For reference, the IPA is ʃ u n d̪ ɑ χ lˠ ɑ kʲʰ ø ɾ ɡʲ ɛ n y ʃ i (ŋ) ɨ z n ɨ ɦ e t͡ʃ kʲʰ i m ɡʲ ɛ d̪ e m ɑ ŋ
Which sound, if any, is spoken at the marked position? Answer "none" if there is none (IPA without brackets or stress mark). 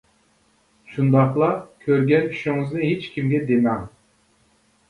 ŋ